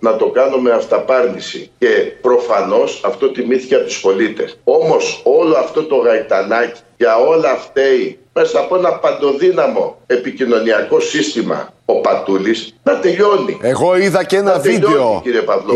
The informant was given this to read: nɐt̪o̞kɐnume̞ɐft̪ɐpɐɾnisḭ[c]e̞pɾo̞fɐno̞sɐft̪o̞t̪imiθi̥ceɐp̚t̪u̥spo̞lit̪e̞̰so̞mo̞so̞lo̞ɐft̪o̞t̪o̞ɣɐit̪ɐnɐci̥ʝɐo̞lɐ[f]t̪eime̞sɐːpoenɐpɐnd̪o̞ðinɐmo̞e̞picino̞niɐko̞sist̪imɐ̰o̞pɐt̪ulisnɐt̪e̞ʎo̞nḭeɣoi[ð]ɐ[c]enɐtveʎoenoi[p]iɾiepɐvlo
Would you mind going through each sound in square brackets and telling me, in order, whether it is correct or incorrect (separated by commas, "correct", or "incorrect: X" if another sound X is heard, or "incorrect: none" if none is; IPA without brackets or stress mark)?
correct, correct, correct, correct, incorrect: c